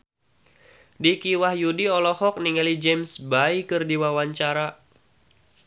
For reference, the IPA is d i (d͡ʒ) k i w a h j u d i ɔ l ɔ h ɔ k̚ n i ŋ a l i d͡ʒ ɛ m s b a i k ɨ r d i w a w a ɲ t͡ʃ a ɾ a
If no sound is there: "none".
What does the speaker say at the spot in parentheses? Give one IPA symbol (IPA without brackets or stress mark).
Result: none